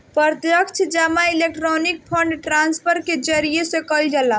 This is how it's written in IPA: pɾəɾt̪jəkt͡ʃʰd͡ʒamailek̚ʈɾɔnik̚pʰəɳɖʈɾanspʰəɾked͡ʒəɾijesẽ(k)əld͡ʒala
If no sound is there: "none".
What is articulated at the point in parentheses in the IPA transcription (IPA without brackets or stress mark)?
k